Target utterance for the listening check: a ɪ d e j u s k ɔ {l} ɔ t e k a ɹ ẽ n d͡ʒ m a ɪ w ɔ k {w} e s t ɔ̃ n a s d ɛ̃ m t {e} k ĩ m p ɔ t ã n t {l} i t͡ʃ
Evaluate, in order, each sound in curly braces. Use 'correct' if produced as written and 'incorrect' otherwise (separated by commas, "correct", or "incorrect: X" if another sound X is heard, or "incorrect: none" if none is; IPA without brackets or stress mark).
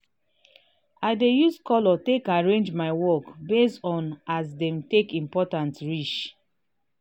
correct, incorrect: b, correct, incorrect: ɹ